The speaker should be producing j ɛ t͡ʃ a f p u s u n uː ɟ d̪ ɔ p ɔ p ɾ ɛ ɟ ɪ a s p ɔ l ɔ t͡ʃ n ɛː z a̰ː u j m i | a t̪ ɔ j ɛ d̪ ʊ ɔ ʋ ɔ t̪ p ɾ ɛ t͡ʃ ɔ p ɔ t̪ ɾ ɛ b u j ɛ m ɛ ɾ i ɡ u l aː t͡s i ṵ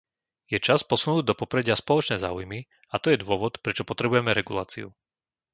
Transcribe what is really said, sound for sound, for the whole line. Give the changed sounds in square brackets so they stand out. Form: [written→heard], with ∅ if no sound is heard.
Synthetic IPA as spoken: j ɛ t͡ʃ a [f→s] p [u→ɔ] s u n uː ɟ d̪ ɔ p ɔ p ɾ ɛ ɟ ɪ a s p ɔ l ɔ t͡ʃ n ɛː z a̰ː u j m i | a t̪ ɔ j ɛ d̪ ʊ ɔ ʋ ɔ t̪ p ɾ ɛ t͡ʃ ɔ p ɔ t̪ ɾ ɛ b u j ɛ m ɛ ɾ [i→ɛ] ɡ u l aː t͡s i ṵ